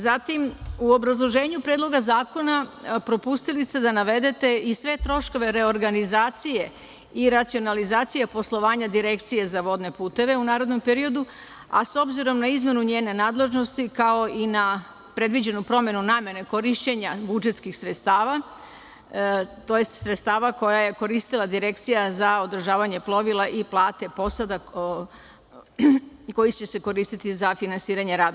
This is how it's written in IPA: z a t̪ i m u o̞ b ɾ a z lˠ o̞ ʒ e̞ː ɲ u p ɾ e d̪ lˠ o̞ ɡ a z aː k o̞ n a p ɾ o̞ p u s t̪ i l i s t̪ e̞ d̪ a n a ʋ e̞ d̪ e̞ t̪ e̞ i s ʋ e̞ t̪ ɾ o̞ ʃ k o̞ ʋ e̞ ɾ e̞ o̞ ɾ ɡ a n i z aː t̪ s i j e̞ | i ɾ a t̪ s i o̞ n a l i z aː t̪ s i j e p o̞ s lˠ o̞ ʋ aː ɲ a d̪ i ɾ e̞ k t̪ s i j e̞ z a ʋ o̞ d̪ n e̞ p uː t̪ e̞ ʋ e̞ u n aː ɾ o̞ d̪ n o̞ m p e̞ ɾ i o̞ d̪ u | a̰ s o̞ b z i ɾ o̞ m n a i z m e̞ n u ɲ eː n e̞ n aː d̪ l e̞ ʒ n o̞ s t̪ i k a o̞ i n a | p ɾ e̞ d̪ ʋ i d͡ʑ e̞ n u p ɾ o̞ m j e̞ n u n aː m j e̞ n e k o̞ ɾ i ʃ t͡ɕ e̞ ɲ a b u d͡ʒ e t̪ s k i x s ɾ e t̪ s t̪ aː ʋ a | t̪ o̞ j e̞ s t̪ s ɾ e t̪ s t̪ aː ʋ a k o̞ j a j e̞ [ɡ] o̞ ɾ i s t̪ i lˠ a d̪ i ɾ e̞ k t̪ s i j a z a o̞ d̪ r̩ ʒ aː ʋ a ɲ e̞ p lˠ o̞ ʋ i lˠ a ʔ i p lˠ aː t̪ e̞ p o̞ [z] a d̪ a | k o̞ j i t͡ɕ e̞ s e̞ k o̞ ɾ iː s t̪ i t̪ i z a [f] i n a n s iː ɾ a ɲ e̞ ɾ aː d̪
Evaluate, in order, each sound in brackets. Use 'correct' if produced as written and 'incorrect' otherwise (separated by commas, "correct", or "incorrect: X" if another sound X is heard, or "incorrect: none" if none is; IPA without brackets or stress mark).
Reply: incorrect: k, incorrect: s, correct